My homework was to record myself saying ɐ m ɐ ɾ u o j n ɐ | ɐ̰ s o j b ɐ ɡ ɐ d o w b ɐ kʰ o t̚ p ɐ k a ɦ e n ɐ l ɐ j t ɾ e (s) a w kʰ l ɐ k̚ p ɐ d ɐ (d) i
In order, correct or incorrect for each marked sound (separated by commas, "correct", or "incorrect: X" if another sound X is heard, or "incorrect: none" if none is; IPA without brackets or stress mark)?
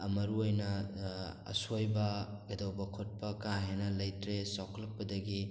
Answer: correct, incorrect: ɡ